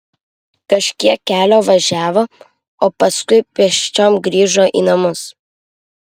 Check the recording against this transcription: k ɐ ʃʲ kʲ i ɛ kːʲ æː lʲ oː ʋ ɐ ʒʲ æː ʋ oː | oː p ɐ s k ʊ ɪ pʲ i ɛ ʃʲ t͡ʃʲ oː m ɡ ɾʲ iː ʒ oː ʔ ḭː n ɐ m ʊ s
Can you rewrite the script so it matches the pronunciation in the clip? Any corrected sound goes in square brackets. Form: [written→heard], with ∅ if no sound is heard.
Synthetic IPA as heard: k ɐ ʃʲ kʲ i ɛ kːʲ æː lʲ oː ʋ ɐ ʒʲ æː ʋ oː | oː p ɐ s k ʊ ɪ pʲ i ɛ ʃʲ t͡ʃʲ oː m ɡ ɾʲ iː ʒ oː ʔ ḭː n ɐ m ʊ s

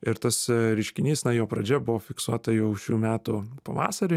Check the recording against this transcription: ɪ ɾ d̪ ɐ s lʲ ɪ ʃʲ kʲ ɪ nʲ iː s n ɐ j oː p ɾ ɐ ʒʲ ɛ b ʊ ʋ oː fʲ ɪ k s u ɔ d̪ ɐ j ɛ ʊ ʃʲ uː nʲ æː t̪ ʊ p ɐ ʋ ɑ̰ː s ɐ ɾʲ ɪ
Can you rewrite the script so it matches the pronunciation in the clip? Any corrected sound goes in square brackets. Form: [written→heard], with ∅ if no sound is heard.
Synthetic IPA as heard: ɪ ɾ [d̪→t̪] ɐ s [lʲ→ɾʲ] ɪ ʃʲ kʲ ɪ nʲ iː s n ɐ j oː p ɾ ɐ [ʒʲ→d͡ʒʲ] ɛ b ʊ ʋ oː fʲ ɪ k s u ɔ [d̪→t̪] ɐ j ɛ ʊ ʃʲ uː [nʲ→mʲ] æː t̪ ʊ p ɐ ʋ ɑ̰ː s ɐ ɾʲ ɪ

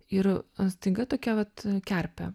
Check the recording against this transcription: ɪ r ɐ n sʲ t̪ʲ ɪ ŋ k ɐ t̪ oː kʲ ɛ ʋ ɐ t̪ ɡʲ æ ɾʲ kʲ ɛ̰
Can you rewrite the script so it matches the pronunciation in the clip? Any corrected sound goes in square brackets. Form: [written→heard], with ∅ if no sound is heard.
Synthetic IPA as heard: ɪ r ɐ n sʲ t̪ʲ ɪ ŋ [k→ɡ] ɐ t̪ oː kʲ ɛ ʋ ɐ t̪ [ɡʲ→kʲ] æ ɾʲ [kʲ→pʲ] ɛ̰

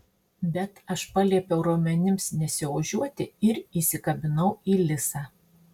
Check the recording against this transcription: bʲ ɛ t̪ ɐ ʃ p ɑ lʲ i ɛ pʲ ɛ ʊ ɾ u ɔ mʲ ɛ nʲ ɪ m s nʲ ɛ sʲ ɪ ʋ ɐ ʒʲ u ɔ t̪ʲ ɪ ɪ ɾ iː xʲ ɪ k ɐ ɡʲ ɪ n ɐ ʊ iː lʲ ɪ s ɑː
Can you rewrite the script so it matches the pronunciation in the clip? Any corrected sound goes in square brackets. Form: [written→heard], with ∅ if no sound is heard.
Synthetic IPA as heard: bʲ ɛ t̪ ɐ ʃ p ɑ lʲ i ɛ pʲ ɛ ʊ ɾ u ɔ mʲ ɛ nʲ ɪ m s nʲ ɛ sʲ ɪ ʋ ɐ ʒʲ u ɔ t̪ʲ ɪ ɪ ɾ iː [xʲ→sʲ] ɪ k ɐ [ɡʲ→bʲ] ɪ n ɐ ʊ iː lʲ ɪ s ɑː

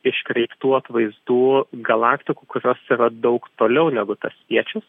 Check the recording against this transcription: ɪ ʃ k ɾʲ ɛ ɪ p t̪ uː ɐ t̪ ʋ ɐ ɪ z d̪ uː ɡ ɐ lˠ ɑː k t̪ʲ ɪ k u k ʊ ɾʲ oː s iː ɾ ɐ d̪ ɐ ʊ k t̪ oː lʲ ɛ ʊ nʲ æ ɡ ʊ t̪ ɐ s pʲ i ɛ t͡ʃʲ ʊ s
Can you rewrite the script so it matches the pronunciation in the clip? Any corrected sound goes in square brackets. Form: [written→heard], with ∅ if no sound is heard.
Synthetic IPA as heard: ɪ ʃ k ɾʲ ɛ ɪ p t̪ uː ɐ t̪ ʋ ɐ ɪ z d̪ uː ɡ ɐ lˠ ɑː k t̪ʲ ɪ k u k ʊ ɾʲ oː s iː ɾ ɐ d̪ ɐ ʊ k t̪ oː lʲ ɛ ʊ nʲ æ ɡ ʊ t̪ ɐ s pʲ i ɛ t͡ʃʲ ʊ s

